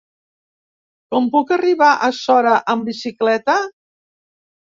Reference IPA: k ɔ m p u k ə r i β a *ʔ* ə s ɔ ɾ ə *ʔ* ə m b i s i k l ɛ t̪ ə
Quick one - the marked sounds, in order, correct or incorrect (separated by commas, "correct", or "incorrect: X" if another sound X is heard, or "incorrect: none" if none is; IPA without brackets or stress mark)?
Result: correct, correct